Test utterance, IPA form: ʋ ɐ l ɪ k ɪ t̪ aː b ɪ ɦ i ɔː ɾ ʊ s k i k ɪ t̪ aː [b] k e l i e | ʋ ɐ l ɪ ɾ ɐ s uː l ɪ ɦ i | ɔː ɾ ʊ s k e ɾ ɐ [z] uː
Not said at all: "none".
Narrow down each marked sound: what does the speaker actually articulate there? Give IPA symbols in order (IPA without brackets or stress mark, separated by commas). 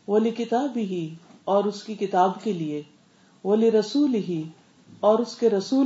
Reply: b, s